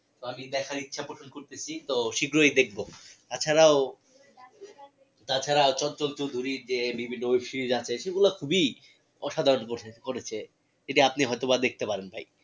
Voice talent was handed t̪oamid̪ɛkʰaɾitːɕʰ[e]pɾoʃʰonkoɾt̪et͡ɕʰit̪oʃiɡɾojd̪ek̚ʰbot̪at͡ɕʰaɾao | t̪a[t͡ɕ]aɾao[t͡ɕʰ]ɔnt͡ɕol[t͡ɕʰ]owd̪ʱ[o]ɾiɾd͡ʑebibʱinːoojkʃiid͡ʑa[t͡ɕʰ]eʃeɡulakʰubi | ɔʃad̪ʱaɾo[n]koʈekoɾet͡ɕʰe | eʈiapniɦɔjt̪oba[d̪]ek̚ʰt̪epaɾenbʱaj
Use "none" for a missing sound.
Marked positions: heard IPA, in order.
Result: a, t͡ɕʰ, t͡ɕ, t͡ɕ, u, t͡ɕʰ, n, d̪

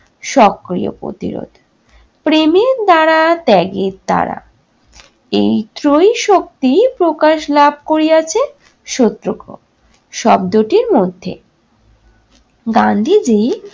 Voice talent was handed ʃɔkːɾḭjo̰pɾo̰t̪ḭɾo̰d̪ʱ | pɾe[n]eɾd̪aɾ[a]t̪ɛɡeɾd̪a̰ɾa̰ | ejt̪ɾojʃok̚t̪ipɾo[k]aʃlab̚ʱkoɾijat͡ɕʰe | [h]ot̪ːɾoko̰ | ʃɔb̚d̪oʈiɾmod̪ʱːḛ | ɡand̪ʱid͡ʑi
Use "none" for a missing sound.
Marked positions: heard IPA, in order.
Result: m, a, k, ʃ

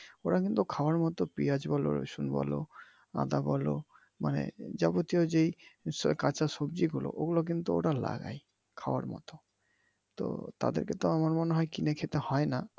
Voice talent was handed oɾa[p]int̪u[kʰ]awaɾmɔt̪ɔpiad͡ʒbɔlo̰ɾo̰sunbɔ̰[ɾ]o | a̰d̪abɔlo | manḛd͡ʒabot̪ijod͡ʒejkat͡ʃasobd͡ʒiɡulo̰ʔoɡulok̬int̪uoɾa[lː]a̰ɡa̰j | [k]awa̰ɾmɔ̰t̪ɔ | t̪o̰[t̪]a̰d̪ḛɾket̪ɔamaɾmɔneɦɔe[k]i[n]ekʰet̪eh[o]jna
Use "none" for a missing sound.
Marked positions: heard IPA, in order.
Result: k, kʰ, l, l, kʰ, t̪, k, n, ɔ

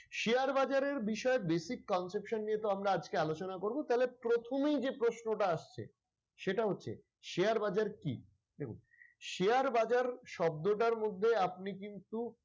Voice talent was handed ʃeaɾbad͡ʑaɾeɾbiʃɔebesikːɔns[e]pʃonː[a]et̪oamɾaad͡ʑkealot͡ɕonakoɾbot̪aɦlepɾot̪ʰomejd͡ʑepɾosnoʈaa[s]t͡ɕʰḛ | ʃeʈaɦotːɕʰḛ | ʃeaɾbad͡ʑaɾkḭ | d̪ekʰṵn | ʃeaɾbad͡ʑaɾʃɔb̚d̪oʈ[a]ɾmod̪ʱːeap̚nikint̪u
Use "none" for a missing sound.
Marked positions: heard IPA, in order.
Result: e, i, ʃ, a

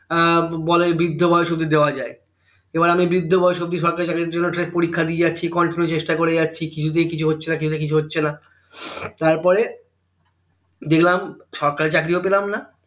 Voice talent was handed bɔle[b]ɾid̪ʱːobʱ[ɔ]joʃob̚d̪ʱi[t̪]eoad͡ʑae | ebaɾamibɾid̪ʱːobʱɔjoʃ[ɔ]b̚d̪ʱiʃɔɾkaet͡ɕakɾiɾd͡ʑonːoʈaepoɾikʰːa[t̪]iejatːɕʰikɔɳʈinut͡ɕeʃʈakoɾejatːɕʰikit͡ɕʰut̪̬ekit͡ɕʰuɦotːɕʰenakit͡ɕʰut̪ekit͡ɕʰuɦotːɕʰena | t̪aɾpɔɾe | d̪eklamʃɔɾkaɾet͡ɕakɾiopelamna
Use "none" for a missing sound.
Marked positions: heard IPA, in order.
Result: b, ɔ, d̪, o, d̪

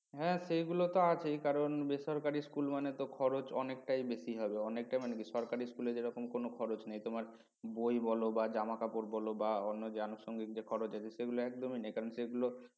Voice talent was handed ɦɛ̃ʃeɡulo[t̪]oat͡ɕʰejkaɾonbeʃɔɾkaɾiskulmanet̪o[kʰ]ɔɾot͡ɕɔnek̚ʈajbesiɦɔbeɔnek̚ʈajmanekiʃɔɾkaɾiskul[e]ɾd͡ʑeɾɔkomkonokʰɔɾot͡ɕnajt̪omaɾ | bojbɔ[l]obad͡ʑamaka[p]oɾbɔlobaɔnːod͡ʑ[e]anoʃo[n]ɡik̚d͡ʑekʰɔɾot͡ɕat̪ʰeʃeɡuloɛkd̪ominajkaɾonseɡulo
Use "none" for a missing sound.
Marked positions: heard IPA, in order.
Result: t̪, kʰ, e, l, p, e, ŋ

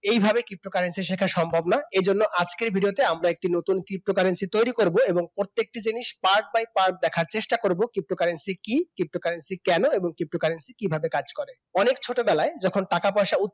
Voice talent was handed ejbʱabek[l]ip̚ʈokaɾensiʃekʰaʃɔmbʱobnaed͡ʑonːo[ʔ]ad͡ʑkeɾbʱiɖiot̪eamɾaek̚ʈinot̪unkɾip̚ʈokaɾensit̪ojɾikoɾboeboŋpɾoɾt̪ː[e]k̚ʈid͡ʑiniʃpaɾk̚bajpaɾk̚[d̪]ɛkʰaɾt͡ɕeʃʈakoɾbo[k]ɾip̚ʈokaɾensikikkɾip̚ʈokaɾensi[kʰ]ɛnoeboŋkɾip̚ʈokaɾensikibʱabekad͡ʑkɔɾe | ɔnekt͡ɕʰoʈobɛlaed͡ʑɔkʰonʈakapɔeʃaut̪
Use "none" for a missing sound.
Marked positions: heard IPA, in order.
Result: ɾ, ʔ, e, d̪, k, k

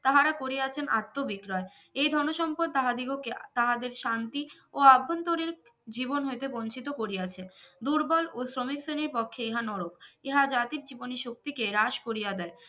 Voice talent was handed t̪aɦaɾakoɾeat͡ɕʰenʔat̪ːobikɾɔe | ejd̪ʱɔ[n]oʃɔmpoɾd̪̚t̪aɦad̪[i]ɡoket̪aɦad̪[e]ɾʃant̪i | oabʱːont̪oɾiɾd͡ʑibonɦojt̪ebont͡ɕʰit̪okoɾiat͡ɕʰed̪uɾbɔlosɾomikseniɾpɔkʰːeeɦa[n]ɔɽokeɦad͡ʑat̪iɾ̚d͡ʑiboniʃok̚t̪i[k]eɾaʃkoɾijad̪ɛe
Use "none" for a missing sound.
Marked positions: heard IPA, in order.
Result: n, i, e, n, k

